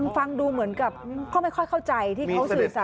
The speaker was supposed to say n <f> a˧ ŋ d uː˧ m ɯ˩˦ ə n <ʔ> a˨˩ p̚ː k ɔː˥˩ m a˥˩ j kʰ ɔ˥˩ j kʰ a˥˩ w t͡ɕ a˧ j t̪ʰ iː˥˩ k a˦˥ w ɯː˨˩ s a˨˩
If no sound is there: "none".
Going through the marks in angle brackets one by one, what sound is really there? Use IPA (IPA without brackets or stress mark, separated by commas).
f, k